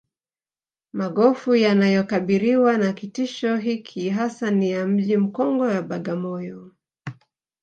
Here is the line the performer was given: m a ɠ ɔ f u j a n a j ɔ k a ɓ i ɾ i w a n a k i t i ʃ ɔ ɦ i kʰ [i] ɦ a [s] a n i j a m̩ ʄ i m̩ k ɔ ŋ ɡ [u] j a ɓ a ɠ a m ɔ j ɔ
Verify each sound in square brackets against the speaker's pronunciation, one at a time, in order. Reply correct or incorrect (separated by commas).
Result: correct, correct, incorrect